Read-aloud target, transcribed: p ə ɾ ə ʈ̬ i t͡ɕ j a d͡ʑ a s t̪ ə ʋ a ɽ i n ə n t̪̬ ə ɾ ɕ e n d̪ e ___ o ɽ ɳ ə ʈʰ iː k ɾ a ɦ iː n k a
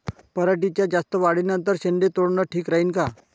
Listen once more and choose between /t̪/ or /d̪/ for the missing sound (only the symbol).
t̪